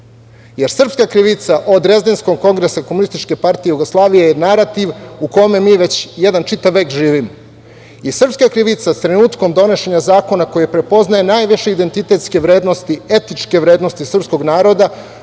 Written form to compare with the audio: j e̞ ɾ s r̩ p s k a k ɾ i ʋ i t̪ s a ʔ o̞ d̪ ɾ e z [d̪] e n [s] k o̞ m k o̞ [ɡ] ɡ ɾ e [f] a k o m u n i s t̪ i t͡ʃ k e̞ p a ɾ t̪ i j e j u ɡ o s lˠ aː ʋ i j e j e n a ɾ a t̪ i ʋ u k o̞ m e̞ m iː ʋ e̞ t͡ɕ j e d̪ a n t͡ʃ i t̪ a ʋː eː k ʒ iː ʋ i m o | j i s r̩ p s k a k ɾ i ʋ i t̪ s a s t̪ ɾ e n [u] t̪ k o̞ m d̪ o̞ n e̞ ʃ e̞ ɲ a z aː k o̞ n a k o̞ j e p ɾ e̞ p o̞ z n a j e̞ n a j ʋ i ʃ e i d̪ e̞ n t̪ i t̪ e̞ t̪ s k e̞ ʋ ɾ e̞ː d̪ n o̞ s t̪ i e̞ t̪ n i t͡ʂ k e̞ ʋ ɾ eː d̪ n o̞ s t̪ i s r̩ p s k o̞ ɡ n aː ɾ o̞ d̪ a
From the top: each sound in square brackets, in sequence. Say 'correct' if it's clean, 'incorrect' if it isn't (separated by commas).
correct, correct, incorrect, incorrect, incorrect